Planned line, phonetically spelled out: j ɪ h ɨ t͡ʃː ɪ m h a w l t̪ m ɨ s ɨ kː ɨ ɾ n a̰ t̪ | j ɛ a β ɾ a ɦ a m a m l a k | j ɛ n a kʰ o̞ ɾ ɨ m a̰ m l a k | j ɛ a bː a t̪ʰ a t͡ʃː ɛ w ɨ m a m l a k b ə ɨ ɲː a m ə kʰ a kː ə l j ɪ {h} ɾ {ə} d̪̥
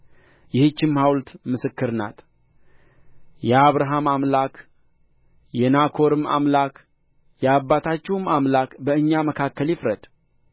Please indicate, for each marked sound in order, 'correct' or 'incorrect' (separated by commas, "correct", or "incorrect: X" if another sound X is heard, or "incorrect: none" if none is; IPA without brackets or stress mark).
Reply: incorrect: f, correct